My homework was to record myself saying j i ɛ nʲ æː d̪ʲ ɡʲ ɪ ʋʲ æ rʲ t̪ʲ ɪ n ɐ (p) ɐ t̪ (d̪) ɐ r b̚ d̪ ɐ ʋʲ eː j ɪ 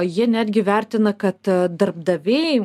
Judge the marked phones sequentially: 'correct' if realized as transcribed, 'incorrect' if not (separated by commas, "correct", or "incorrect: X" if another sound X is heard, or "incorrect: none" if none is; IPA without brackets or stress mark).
incorrect: k, correct